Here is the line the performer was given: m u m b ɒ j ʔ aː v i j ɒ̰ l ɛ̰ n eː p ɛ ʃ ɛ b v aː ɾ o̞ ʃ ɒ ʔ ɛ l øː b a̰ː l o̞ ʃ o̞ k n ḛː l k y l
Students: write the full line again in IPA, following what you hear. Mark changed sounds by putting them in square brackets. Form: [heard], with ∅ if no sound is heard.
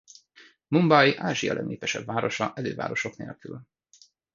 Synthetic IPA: m u m b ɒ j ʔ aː [ʒ] i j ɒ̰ l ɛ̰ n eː p ɛ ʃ ɛ b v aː ɾ o̞ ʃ ɒ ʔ ɛ l øː [v] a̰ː [ɾ] o̞ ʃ o̞ k n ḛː l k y l